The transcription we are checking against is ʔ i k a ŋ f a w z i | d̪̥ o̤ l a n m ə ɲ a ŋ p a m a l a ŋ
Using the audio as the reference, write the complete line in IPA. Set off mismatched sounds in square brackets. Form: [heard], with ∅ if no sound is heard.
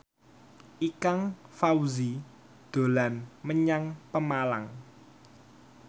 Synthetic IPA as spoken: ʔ i k a ŋ f a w z i | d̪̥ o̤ l a n m ə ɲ a ŋ p [ə] m a l a ŋ